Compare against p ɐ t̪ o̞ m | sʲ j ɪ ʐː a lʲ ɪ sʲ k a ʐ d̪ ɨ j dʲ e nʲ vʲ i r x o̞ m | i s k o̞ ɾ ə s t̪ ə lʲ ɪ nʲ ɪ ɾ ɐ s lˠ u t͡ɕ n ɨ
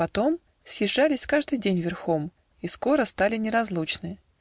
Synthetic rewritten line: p ɐ t̪ o̞ m | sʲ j ɪ ʐː a lʲ ɪ sʲ k a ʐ d̪ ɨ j dʲ e nʲ vʲ ɪ r x o̞ m | i s k o̞ ɾ ə s t̪ a lʲ ɪ nʲ ɪ ɾ ɐ z lˠ u t͡ɕ n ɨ